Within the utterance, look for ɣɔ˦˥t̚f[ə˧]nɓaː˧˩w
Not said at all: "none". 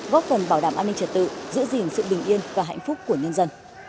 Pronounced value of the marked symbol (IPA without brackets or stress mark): ə˨˩